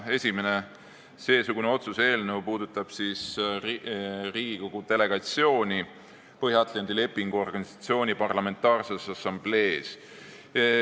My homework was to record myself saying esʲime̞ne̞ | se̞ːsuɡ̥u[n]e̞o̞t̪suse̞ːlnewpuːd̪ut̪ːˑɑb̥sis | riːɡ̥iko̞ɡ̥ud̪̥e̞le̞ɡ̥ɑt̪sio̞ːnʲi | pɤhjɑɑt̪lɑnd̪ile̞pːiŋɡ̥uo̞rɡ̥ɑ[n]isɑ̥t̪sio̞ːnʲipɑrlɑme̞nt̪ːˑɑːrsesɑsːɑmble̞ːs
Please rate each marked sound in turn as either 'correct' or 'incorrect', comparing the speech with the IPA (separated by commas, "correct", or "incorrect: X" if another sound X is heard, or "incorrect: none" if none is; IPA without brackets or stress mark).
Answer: correct, correct